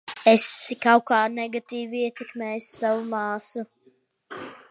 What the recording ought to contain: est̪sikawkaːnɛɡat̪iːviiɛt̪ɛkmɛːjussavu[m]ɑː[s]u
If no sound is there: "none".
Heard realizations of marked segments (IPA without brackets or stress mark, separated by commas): m, s